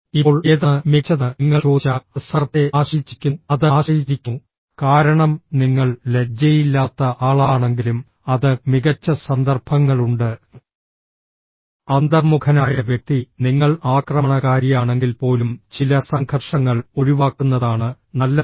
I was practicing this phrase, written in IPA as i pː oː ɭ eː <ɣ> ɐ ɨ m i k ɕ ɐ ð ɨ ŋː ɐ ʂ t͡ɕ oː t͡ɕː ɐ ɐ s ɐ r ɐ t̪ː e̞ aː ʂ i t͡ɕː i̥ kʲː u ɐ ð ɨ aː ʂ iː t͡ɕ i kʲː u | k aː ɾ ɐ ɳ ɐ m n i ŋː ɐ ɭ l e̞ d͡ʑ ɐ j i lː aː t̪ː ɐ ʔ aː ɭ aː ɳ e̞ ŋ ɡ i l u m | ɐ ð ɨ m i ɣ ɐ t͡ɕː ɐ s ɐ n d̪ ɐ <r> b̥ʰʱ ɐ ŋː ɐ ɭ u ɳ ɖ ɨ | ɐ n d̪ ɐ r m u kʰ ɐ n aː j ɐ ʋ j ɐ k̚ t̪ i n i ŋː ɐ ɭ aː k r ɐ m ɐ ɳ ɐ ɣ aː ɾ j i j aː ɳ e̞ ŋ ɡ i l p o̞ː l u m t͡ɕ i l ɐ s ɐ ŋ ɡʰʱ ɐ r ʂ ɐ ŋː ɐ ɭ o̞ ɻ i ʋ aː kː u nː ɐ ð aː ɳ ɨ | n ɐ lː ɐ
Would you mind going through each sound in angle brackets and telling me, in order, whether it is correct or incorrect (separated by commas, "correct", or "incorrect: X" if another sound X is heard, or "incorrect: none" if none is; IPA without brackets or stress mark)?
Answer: incorrect: ð, correct